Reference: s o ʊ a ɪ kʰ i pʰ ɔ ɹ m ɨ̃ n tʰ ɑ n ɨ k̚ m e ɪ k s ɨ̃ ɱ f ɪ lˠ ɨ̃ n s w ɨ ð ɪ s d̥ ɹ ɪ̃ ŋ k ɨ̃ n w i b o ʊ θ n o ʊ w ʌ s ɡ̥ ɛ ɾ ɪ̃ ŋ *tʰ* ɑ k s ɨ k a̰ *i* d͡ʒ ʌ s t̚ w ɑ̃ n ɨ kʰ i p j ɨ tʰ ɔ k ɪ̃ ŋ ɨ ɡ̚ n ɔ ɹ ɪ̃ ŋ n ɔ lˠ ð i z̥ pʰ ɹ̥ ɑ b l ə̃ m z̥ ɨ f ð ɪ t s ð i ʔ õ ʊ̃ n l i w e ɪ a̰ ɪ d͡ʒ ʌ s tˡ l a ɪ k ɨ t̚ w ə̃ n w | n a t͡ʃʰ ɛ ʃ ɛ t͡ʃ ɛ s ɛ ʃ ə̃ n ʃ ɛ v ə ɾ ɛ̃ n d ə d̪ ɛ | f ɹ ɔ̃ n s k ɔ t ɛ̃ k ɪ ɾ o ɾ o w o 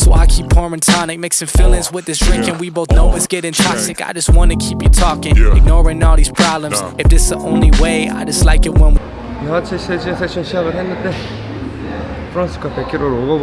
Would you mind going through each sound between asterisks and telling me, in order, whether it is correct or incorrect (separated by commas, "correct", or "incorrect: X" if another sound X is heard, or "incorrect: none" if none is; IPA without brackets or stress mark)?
correct, incorrect: ɪ